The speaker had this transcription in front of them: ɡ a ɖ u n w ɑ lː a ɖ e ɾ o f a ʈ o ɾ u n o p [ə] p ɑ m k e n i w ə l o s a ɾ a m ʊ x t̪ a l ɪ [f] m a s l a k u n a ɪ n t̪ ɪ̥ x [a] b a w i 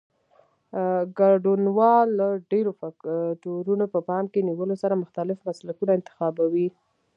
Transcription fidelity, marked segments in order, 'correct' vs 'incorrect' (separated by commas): correct, correct, incorrect